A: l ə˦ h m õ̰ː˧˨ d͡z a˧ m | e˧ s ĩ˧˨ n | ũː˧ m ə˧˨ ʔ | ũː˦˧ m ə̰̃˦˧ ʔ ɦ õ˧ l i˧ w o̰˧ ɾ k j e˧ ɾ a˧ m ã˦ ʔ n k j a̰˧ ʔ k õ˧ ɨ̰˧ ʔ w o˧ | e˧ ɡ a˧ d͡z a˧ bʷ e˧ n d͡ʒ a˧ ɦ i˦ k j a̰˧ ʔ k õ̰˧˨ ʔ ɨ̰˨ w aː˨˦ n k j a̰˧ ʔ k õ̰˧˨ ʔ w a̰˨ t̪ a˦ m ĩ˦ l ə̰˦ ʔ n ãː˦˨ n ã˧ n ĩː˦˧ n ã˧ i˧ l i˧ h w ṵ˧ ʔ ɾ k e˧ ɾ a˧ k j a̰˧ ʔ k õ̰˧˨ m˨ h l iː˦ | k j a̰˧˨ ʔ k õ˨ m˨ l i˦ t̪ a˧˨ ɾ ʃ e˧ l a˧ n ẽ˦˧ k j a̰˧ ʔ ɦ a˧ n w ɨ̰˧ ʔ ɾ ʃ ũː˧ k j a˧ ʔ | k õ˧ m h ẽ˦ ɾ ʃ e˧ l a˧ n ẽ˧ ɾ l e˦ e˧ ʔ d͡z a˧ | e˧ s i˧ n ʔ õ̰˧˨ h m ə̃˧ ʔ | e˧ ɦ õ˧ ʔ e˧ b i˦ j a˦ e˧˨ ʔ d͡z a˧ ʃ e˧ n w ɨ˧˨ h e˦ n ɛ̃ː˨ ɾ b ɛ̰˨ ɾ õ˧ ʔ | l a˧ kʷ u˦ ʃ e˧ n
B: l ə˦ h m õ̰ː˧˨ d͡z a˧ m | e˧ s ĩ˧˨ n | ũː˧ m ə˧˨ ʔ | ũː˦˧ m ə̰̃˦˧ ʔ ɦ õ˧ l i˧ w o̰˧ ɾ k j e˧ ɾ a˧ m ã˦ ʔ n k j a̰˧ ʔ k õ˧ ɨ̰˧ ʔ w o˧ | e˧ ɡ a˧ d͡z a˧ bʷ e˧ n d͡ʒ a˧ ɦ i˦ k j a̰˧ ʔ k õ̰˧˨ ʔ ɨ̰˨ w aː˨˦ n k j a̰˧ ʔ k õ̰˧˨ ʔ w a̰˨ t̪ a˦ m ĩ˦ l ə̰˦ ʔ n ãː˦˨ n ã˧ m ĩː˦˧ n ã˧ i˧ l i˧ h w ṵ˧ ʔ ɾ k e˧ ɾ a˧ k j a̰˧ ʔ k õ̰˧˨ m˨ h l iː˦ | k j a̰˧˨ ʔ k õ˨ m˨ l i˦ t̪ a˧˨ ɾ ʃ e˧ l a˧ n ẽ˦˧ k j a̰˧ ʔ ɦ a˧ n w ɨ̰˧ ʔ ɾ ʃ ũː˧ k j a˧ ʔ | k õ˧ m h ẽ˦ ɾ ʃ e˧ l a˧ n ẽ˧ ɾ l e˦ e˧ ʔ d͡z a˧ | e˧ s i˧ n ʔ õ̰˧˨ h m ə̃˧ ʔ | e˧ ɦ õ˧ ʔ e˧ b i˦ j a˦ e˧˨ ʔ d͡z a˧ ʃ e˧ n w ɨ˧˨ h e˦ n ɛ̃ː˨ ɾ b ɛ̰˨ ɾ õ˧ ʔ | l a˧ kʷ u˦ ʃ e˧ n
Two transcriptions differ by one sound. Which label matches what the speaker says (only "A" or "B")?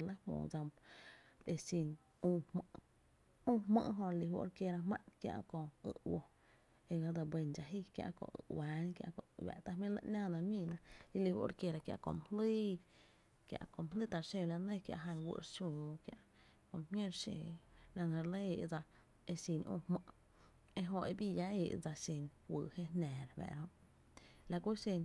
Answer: B